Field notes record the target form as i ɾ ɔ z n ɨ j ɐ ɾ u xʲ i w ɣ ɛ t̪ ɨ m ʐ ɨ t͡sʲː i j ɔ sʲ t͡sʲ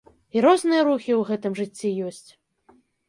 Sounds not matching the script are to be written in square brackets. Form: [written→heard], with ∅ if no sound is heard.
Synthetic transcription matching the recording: i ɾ ɔ z n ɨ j ɐ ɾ u xʲ i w ɣ ɛ t̪ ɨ m ʐ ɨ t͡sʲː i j ɔ sʲ t͡sʲ